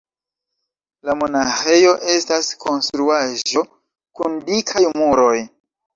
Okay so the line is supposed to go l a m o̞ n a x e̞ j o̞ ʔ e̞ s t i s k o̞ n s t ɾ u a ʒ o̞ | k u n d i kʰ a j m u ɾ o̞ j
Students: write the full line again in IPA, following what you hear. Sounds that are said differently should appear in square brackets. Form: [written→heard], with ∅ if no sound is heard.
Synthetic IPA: l a m o̞ n a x e̞ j o̞ ʔ e̞ s t [i→a] s k o̞ n s t ɾ u a ʒ o̞ | k u n d i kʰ a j m u ɾ o̞ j